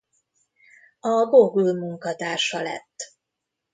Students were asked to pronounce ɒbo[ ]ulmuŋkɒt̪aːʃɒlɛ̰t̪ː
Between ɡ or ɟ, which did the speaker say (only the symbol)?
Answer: ɡ